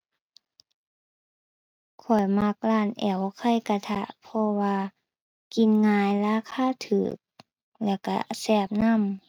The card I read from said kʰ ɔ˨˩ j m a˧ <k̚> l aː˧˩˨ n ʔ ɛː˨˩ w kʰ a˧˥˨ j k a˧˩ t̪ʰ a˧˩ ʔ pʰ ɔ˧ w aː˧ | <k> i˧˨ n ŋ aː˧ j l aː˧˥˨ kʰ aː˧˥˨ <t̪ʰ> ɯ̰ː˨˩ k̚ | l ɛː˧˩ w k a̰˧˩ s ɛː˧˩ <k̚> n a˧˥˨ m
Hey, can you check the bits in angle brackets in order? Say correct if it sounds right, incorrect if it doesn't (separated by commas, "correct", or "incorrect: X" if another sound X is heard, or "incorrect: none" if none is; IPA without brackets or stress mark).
correct, correct, correct, incorrect: p̚